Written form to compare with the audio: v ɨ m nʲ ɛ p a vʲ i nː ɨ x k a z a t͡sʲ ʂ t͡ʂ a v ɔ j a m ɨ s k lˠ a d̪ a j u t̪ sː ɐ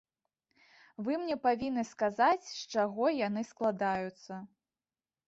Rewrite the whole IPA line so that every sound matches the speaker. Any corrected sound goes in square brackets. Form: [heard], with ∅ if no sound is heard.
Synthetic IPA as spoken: v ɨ m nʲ ɛ p a vʲ i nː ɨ [s] k a z a t͡sʲ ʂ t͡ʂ a [ɣ] ɔ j a [n] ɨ s k lˠ a d̪ a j u t̪ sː ɐ